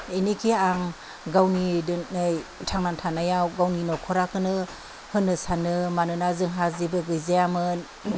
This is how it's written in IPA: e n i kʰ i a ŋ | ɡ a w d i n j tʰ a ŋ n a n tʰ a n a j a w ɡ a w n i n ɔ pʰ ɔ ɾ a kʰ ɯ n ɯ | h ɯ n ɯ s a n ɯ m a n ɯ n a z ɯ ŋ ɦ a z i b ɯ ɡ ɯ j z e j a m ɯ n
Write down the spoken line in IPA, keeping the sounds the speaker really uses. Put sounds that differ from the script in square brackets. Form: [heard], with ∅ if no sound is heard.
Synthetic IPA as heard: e n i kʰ i a ŋ | ɡ a w [n] i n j tʰ a ŋ n a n tʰ a n a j a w ɡ a w n i n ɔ [kʰ] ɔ ɾ a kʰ ɯ n ɯ | h ɯ n ɯ s a n ɯ m a n ɯ n a z ɯ ŋ ɦ a z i b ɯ ɡ ɯ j z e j a m ɯ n